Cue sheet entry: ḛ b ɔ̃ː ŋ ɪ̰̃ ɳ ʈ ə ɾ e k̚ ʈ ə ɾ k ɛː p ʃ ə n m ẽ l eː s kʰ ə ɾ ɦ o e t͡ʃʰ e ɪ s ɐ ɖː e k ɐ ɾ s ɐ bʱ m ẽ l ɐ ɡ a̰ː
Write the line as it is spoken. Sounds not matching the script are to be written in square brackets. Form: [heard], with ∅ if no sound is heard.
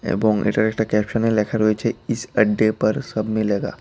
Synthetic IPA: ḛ b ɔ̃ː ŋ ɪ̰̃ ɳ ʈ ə ɾ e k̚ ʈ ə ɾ k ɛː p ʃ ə n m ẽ l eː [∅] kʰ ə ɾ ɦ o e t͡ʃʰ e ɪ s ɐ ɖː e [p] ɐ ɾ s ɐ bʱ m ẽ l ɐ ɡ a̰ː

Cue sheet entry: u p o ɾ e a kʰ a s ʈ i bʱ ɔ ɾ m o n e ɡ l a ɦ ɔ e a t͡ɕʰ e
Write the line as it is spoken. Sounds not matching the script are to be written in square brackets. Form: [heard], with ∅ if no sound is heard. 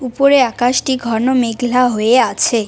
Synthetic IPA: u p o ɾ e a [k] a [ʃ] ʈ i [ɡʱ] ɔ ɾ [n] o [m] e ɡ l a ɦ [o] e a t͡ɕʰ e

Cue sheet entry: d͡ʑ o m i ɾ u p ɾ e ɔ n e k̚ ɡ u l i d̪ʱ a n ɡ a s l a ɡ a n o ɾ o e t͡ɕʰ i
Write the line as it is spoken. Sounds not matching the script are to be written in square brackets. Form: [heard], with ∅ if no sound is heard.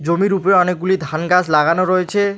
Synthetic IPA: d͡ʑ o m i ɾ u p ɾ e ɔ n e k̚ ɡ u l i d̪ʱ a n ɡ a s l a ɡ a n o ɾ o e t͡ɕʰ [e]

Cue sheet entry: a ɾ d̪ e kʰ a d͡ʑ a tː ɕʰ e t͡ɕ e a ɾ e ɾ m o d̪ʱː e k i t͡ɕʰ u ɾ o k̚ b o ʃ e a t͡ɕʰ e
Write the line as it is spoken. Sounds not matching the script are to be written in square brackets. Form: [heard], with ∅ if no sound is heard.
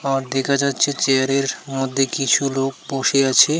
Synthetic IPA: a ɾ d̪ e kʰ a d͡ʑ a tː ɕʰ e t͡ɕ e a ɾ e ɾ m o d̪ʱː e k i t͡ɕʰ u [l] o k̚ b o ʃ e a t͡ɕʰ e

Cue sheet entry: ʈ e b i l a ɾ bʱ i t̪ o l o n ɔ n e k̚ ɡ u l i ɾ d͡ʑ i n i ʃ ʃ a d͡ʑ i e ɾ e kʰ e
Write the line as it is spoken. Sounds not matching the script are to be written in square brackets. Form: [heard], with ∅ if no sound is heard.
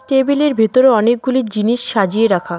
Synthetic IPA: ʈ e b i l [e] ɾ bʱ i t̪ o [ɾ] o [∅] ɔ n e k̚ ɡ u l i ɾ d͡ʑ i n i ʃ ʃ a d͡ʑ i e ɾ [a] kʰ [a]

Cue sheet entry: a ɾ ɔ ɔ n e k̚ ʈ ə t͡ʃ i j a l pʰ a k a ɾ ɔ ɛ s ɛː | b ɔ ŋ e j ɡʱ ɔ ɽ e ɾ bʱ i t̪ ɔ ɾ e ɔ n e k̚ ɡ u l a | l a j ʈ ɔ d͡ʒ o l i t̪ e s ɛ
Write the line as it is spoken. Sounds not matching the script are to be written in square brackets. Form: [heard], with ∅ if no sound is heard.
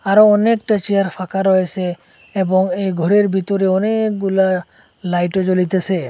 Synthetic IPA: a ɾ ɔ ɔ n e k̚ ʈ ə t͡ʃ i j a [ɾ] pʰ a k a ɾ ɔ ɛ s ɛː | b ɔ ŋ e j ɡʱ ɔ [ɾ] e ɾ bʱ i t̪ ɔ ɾ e ɔ n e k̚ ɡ u l a | l a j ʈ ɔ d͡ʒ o l i t̪ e s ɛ

